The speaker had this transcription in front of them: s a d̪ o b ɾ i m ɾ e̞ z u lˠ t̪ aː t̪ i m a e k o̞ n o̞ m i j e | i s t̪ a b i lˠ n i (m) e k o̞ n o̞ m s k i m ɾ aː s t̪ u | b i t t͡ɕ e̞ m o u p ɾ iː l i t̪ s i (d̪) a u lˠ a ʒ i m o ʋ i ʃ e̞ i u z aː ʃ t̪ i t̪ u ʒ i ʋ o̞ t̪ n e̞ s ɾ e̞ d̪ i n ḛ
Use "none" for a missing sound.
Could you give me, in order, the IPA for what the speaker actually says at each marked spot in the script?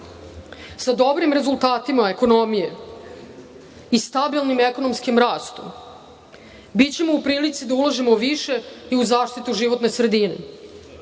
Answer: m, d̪

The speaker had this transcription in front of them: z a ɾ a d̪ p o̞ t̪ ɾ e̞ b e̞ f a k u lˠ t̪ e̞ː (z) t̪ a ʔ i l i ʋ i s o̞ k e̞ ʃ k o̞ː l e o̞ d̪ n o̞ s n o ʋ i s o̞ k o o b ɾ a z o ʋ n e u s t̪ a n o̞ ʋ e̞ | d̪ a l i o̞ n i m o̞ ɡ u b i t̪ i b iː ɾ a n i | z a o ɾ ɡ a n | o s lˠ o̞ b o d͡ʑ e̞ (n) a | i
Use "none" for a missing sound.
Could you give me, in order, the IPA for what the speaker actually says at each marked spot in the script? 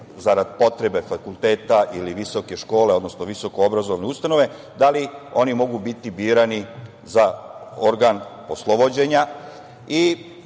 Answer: none, ɲ

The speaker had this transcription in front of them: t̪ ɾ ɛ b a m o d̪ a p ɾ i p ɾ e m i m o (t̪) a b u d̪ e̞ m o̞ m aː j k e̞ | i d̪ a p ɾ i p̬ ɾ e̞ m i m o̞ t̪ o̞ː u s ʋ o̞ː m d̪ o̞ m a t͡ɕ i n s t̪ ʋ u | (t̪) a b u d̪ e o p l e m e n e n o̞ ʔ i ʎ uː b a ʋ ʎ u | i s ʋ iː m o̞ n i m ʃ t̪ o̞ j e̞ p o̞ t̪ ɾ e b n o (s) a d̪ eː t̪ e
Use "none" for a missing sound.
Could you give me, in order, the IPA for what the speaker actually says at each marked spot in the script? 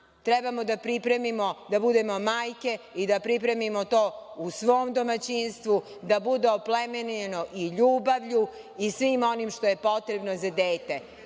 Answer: d̪, d̪, z

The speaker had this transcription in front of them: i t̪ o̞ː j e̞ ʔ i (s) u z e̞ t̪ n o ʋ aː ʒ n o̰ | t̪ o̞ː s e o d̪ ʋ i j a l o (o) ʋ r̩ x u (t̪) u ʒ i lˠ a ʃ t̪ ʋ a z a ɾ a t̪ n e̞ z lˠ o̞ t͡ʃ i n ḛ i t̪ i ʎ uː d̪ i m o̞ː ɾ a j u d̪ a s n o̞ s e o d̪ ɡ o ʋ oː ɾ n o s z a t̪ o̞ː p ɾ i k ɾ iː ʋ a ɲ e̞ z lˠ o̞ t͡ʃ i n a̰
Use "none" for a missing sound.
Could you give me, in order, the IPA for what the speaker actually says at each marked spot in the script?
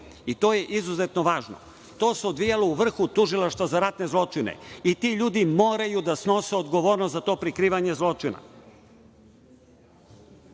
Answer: z, u, t̪

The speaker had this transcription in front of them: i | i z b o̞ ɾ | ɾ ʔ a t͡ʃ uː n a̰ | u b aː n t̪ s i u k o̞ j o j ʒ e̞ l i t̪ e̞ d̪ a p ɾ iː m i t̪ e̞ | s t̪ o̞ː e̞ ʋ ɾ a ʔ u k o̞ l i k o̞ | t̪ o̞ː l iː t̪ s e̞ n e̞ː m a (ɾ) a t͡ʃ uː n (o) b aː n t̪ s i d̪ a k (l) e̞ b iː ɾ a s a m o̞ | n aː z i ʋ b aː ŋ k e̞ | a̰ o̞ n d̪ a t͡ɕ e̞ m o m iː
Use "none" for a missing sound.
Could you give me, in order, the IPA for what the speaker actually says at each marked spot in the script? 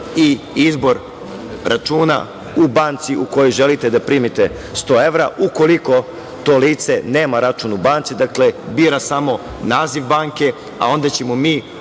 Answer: ɾ, u, l

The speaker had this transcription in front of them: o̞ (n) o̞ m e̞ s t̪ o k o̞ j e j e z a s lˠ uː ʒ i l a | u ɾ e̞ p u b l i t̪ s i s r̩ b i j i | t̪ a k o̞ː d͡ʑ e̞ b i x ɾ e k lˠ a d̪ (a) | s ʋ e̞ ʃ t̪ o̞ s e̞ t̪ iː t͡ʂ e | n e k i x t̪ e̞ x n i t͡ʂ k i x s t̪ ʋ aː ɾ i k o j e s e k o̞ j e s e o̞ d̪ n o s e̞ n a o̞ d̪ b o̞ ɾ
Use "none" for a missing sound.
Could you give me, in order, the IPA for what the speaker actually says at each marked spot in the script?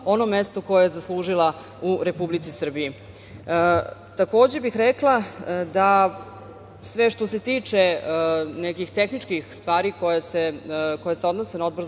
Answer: n, a

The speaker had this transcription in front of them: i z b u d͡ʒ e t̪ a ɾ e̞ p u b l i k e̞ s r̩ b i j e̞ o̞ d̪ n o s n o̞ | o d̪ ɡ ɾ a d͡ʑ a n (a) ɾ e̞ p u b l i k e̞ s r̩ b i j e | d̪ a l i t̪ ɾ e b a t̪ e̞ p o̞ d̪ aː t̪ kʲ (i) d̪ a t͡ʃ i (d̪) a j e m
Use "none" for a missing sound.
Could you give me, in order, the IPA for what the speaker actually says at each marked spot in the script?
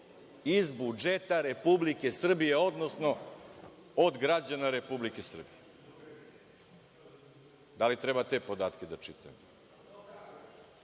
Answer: a, e, t̪

